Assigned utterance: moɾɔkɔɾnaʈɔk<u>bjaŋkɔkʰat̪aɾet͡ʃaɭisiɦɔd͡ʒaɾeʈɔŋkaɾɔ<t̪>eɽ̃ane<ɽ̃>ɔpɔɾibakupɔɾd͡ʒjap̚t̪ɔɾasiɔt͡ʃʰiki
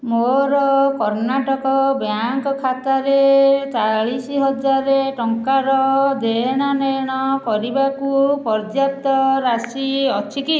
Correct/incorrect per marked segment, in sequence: incorrect, incorrect, correct

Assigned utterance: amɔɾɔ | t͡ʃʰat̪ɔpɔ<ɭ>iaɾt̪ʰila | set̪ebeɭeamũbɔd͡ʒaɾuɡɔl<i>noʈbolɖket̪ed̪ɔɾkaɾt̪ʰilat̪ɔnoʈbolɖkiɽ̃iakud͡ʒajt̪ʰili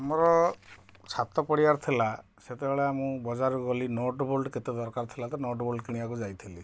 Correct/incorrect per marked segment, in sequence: incorrect, correct

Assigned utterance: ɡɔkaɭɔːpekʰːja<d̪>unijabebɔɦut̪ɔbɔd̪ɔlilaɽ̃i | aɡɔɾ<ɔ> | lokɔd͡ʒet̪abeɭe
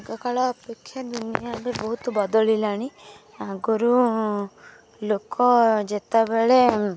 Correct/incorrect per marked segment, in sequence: correct, incorrect

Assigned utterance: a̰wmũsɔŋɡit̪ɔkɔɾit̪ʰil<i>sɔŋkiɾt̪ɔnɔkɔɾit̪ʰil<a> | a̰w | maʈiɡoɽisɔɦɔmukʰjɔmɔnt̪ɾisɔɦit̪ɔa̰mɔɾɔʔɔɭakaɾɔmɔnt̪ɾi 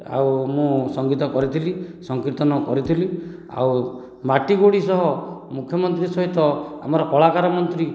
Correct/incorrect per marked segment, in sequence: correct, incorrect

